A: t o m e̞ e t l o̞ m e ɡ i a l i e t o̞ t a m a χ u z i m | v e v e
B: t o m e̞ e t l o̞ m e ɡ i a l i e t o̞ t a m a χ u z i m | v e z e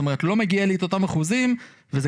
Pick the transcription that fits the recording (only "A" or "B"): B